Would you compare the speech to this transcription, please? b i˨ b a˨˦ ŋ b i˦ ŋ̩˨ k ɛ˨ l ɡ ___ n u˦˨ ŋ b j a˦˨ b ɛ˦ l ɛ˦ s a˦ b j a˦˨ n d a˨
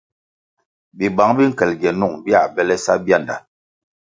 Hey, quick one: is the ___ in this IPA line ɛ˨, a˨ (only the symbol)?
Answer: ɛ˨